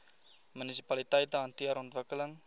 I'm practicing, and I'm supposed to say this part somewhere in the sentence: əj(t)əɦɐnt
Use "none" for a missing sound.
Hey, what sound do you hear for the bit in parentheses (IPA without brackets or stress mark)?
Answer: t